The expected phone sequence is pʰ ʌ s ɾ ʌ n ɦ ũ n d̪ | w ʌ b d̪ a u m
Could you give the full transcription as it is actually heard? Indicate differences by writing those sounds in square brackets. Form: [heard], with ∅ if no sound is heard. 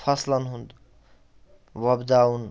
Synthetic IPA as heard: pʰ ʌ s [l] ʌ n ɦ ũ n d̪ | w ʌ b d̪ a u [n]